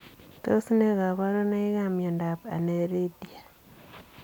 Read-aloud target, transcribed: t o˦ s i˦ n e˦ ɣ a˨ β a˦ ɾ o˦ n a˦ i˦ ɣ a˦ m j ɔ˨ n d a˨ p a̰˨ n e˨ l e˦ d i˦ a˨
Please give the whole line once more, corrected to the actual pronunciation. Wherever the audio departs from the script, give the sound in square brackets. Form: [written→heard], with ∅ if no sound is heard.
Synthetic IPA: t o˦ s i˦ n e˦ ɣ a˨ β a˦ ɾ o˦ n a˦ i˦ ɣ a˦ m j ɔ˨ n d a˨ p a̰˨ n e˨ [l→ɾ] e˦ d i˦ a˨